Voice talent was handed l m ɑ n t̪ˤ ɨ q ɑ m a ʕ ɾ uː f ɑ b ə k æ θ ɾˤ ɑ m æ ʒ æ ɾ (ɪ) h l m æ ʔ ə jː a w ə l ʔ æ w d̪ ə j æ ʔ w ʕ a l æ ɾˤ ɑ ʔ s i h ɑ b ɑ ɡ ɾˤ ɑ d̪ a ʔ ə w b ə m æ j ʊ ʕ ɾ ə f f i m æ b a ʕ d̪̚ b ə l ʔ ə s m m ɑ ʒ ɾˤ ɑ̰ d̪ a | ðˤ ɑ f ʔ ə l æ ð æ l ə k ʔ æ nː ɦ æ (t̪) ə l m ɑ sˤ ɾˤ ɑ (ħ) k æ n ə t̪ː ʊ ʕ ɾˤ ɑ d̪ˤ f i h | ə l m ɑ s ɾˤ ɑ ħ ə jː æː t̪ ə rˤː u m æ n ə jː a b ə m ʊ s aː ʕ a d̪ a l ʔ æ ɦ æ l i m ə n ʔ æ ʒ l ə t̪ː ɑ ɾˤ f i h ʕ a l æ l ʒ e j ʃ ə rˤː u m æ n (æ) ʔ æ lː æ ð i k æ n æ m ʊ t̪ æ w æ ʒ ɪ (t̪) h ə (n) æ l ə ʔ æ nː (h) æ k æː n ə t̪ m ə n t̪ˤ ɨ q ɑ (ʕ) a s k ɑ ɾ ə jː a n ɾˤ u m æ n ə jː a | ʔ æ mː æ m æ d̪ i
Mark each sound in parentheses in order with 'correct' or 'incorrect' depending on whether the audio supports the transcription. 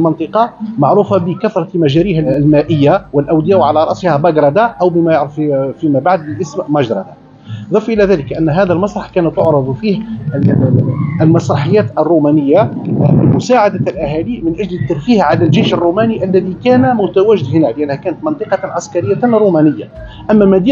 incorrect: i, incorrect: d̪, correct, incorrect: i, incorrect: d̪, correct, correct, correct

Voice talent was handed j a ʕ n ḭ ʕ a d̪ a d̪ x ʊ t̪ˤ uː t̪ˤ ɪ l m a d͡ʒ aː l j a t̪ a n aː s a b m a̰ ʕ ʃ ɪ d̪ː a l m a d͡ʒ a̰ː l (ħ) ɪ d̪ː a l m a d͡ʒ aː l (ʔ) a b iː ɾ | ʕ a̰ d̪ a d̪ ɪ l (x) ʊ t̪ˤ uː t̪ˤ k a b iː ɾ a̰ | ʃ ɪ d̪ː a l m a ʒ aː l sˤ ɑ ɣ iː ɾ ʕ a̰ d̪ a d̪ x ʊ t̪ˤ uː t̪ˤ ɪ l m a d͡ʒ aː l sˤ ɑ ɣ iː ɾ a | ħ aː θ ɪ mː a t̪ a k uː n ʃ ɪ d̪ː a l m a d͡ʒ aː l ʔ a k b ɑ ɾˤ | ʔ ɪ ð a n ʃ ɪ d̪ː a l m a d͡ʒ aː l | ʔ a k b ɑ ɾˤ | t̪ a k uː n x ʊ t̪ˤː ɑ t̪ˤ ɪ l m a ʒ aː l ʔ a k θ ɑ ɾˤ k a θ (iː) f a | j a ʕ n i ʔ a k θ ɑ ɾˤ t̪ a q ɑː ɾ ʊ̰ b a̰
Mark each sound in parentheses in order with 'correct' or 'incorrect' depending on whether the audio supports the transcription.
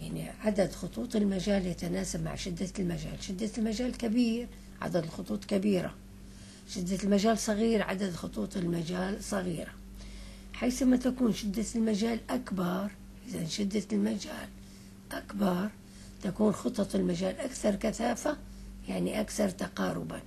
incorrect: ʃ, incorrect: k, correct, incorrect: aː

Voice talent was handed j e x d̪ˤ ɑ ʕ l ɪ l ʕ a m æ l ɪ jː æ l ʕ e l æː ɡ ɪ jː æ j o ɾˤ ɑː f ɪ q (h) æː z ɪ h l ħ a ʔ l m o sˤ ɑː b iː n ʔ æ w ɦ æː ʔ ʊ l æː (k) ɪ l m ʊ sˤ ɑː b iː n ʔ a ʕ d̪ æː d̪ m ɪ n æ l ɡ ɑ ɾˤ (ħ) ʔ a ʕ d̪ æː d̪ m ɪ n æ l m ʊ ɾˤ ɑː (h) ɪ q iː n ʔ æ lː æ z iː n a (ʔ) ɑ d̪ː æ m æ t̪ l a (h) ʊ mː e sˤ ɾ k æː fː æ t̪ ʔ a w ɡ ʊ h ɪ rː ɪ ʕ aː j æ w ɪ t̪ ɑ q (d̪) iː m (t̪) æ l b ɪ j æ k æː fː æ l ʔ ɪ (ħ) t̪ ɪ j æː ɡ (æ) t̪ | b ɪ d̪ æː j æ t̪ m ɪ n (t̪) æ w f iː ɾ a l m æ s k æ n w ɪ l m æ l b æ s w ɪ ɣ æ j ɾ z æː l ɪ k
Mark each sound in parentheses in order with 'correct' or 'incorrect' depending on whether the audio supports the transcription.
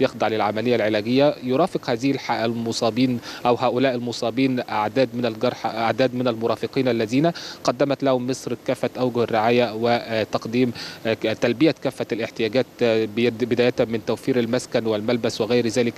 correct, incorrect: ʔ, correct, incorrect: f, incorrect: q, correct, correct, correct, correct, incorrect: æː, correct

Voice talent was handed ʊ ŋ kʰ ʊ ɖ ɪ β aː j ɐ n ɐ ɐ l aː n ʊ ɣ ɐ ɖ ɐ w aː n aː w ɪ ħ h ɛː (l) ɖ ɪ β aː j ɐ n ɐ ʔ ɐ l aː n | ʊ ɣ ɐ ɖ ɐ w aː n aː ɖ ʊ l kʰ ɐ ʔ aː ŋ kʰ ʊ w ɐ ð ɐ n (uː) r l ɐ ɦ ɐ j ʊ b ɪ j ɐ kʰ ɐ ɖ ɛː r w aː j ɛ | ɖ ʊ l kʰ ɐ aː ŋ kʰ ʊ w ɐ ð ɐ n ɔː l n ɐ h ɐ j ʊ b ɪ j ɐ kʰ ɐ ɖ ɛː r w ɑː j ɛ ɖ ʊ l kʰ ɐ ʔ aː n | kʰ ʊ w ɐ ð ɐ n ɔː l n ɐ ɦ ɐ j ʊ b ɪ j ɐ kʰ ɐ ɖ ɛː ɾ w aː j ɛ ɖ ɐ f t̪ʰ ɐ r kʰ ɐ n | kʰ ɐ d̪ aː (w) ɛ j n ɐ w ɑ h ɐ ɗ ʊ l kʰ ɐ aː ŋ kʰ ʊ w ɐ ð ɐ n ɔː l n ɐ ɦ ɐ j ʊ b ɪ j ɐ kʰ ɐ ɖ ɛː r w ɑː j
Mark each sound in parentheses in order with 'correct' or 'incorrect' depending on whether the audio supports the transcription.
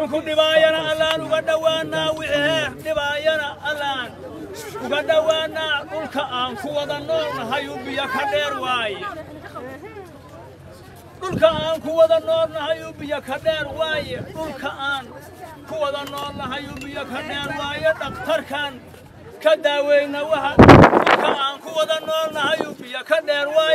incorrect: r, incorrect: ɔː, correct

